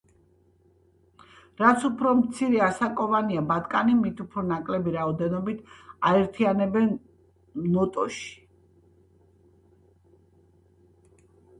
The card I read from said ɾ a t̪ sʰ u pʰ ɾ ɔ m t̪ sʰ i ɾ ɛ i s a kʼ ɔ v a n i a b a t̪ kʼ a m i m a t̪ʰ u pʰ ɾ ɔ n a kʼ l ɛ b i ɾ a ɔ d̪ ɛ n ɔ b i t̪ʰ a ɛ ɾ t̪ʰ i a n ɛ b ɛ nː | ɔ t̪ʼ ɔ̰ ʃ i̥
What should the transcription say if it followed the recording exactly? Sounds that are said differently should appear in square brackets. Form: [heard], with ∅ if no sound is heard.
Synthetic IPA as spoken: ɾ a t̪ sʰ u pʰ ɾ ɔ m t̪ sʰ i ɾ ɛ [a] s a kʼ ɔ v a n i a b a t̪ kʼ a [n] i m [i] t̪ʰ u pʰ ɾ ɔ n a kʼ l ɛ b i ɾ a ɔ d̪ ɛ n ɔ b i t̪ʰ a ɛ ɾ t̪ʰ i a n ɛ b ɛ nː | ɔ t̪ʼ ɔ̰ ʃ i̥